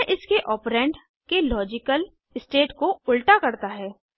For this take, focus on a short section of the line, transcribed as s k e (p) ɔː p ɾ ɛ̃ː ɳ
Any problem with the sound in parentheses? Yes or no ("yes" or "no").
yes